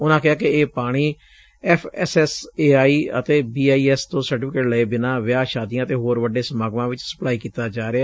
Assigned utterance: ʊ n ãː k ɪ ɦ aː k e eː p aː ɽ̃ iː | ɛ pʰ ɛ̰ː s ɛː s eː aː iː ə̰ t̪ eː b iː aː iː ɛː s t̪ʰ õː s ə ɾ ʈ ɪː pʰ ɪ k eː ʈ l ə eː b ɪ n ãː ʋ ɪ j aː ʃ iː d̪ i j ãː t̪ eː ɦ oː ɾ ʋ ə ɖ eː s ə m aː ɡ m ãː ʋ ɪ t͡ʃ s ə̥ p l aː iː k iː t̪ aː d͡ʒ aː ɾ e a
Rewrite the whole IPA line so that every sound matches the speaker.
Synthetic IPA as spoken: ʊ n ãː k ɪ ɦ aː k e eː p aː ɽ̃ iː | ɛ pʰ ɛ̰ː s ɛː s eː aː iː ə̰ t̪ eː b iː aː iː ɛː s t̪ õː s ə ɾ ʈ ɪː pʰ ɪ k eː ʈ l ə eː b ɪ n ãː ʋ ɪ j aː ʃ aː d̪ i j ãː t̪ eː ɦ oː ɾ ʋ ə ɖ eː s ə m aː ɡ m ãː ʋ ɪ t͡ʃ s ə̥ p l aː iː k iː t̪ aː d͡ʒ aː ɾ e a